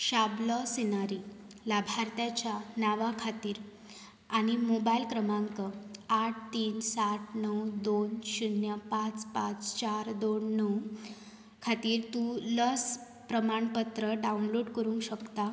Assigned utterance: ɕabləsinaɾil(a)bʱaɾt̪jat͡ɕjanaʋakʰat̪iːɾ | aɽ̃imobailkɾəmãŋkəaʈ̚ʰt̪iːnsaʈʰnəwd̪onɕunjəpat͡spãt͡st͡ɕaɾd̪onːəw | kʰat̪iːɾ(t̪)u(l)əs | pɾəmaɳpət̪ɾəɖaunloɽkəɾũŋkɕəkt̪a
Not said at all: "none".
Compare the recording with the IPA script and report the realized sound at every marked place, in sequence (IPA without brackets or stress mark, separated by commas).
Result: a, t̪, l